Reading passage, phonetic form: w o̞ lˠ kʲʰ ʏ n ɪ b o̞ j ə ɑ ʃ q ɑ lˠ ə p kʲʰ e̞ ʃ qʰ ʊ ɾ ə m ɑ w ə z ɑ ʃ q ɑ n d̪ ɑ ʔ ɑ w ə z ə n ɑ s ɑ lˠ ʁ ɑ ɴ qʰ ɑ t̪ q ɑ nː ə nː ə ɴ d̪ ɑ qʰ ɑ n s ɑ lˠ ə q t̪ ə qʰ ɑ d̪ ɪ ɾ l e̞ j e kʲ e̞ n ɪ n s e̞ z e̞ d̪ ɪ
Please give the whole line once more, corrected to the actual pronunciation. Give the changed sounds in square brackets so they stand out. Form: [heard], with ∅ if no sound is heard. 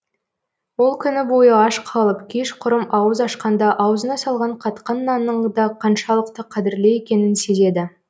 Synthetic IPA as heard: w o̞ lˠ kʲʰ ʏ n ɪ b o̞ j ə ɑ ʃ [qʰ] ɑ lˠ ə p kʲʰ e̞ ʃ qʰ ʊ ɾ ə m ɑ w ə z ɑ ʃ q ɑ n d̪ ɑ ʔ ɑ w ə z ə n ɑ s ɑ lˠ ʁ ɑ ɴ qʰ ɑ t̪ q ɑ nː [ɑ] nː ə ɴ d̪ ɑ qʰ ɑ n [ʃ] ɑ lˠ ə q t̪ ə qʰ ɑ d̪ ɪ ɾ l e̞ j e kʲ e̞ n ɪ n s e̞ z e̞ d̪ ɪ